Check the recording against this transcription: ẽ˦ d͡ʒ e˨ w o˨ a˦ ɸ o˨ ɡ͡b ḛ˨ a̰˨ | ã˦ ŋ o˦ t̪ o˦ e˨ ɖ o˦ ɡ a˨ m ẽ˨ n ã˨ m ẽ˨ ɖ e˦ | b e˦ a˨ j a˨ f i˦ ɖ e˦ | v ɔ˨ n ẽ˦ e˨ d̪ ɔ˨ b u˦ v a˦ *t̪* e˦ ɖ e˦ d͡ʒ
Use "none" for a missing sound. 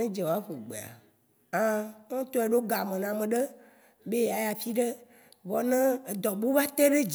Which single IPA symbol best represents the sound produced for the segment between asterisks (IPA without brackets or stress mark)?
t̪